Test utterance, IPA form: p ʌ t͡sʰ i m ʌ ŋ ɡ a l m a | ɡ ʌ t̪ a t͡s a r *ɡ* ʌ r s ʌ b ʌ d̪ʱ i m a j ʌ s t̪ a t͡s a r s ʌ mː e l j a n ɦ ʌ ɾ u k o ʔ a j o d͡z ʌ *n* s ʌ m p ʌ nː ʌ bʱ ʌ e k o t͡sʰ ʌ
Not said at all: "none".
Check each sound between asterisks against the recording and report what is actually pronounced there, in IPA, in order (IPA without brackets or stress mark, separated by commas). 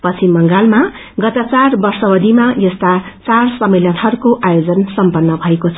b, n